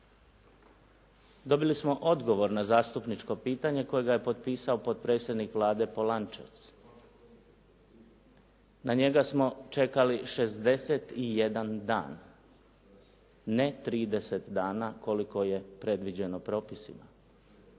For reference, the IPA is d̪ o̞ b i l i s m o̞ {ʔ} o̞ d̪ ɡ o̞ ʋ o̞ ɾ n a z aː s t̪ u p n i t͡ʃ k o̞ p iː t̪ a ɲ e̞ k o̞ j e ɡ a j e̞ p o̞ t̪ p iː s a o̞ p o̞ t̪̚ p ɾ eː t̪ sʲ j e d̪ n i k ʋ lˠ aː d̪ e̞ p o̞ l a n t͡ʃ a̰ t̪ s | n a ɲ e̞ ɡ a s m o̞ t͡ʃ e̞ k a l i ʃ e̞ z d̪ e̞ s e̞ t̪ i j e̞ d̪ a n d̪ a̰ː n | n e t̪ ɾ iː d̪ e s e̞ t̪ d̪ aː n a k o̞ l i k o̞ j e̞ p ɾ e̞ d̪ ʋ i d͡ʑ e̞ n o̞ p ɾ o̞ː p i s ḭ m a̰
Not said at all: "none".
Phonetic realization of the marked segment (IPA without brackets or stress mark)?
ʔ